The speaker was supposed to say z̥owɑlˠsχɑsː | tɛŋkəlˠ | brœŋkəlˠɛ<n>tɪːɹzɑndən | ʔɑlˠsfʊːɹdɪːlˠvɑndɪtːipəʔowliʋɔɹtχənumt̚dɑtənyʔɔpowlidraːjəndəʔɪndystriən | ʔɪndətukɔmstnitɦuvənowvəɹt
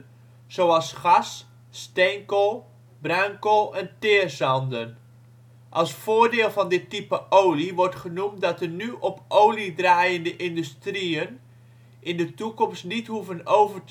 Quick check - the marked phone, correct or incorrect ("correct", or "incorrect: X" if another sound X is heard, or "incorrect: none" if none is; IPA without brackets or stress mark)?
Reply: correct